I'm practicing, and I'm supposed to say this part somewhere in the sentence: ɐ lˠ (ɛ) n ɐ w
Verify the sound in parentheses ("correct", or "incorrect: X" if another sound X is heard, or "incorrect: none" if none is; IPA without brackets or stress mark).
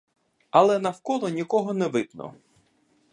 correct